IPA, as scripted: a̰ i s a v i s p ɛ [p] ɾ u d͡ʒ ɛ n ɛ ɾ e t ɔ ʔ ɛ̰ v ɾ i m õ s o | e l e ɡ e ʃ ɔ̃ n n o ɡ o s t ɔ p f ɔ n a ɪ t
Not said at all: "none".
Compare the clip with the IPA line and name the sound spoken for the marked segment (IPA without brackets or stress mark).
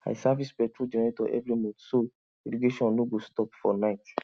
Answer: t